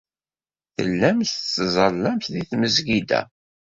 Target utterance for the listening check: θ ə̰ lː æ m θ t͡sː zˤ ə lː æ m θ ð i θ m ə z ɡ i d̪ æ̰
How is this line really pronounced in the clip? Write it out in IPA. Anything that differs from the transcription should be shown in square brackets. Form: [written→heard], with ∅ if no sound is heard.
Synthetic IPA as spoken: θ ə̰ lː æ m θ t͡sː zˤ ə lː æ m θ ð i θ m ə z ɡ i d̪ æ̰